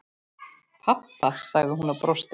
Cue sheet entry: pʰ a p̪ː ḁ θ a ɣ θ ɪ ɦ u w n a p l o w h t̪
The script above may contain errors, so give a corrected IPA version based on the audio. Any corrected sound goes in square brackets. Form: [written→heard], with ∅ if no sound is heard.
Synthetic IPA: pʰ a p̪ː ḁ [θ→s] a ɣ [θ→ð] ɪ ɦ u [w→∅] n a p [l→ɾ] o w [h→s] t̪

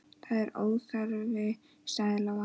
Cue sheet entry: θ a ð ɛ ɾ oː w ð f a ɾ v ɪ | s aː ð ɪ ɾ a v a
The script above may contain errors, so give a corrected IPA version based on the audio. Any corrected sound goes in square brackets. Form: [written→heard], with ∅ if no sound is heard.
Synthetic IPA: θ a ð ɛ ɾ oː w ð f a ɾ v ɪ | s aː ð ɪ [ɾ→l] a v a

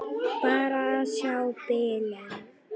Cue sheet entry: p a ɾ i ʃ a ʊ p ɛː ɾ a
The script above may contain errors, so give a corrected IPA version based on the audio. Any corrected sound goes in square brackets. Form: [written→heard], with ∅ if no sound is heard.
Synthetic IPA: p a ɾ [i→a] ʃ a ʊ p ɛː [ɾ→l] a

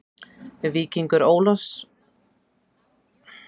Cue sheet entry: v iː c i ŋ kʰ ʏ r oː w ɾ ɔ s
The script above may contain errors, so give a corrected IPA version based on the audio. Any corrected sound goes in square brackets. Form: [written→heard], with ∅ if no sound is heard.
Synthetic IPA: v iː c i ŋ [kʰ→k] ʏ [r→ɾ] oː w [ɾ→l] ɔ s

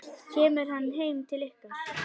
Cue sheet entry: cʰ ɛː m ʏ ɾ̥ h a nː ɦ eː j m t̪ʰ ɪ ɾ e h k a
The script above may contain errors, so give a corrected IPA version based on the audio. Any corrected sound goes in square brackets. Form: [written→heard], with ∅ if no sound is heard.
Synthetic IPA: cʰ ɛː m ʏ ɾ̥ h a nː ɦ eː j m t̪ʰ ɪ [ɾ→l] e h k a

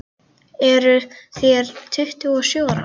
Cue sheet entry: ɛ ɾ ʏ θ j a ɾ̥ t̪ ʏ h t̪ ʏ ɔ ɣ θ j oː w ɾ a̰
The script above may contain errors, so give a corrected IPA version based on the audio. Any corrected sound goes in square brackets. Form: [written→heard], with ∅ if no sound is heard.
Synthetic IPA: ɛ ɾ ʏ θ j [a→ɛ] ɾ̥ [t̪→t̪ʰ] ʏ h t̪ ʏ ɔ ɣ [θ→s] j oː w ɾ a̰

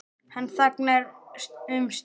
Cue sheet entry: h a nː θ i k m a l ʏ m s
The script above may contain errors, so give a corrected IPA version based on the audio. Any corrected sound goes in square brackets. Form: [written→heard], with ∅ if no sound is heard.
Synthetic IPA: h a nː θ [i→a] k [m→n] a [l→ɾ] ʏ m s

